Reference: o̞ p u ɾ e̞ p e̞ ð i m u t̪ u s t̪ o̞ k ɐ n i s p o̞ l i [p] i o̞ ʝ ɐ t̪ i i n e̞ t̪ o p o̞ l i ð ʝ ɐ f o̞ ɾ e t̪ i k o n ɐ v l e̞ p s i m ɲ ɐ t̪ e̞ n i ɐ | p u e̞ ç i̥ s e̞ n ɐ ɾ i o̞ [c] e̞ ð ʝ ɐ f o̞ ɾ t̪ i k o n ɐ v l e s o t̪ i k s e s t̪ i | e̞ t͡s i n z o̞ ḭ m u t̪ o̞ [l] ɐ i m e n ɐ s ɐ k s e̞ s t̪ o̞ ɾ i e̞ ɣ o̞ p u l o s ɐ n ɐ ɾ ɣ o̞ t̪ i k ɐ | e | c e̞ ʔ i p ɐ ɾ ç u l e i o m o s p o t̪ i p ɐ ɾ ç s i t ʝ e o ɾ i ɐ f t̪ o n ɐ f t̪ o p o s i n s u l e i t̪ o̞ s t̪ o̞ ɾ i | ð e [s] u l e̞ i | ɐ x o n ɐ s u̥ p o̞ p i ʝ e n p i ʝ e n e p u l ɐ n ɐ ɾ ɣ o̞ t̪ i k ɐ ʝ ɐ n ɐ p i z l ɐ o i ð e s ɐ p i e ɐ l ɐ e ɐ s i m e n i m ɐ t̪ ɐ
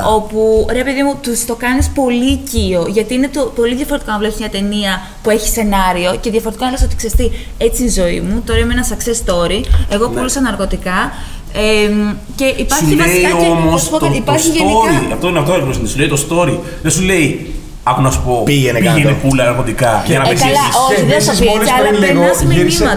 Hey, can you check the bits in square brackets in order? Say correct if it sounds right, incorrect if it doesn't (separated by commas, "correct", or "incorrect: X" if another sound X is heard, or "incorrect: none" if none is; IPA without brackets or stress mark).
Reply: incorrect: c, correct, incorrect: ɾ, correct